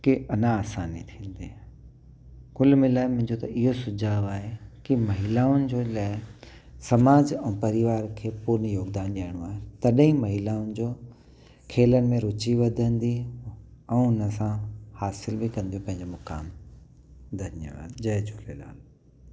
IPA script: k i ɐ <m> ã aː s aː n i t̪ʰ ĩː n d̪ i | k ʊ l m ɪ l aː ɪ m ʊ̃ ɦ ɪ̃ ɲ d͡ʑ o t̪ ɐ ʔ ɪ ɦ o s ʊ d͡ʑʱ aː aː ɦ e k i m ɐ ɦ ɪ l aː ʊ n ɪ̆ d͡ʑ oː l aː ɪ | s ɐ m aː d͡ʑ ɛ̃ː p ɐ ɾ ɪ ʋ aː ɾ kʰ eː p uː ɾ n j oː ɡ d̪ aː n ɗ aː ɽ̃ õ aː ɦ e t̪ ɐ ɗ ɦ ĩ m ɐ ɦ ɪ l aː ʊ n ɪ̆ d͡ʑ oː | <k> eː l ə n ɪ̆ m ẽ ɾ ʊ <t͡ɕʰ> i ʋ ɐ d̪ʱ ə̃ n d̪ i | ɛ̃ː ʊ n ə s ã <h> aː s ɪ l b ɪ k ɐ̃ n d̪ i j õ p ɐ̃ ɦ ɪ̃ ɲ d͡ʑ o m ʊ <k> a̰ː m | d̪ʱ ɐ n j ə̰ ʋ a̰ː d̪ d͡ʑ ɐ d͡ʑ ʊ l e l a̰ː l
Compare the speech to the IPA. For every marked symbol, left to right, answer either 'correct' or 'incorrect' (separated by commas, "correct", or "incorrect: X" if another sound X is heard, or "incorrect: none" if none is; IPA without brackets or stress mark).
incorrect: n, incorrect: kʰ, incorrect: t͡ɕ, correct, correct